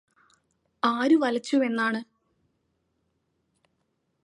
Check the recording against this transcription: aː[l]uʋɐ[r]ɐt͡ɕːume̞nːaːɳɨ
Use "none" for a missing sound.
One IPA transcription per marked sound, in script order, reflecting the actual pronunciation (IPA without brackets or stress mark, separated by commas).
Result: ɾ, l